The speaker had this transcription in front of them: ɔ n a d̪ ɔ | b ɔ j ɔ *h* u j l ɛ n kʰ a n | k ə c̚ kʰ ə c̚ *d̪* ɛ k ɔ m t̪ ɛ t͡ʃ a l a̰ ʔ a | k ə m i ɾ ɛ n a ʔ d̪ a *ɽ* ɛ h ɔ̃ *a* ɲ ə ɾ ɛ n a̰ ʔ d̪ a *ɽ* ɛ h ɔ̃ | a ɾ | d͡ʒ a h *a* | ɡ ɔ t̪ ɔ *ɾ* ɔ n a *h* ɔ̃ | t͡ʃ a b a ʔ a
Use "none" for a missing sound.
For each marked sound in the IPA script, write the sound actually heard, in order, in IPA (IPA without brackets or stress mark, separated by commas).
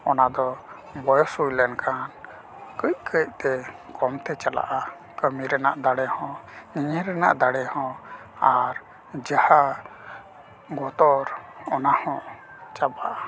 s, t̪, ɽ, i, ɽ, a, ɾ, h